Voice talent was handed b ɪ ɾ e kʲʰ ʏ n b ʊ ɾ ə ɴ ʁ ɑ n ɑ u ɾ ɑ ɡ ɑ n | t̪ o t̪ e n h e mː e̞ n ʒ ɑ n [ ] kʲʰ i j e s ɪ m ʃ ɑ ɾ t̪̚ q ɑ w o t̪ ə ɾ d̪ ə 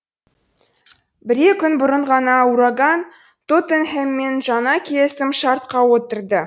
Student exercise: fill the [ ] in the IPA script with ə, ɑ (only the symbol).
ɑ